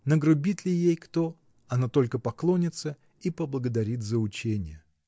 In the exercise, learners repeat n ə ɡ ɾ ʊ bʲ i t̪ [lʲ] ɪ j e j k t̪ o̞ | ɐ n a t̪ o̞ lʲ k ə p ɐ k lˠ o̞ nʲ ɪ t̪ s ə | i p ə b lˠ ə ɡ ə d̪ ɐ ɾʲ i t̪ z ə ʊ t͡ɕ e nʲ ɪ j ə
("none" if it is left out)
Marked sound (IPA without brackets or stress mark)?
lʲ